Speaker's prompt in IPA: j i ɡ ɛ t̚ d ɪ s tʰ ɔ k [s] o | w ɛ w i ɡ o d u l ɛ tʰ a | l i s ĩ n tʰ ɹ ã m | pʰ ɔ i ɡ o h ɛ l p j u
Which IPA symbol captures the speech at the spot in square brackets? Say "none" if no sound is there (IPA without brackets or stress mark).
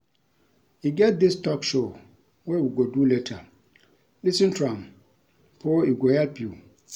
ʃ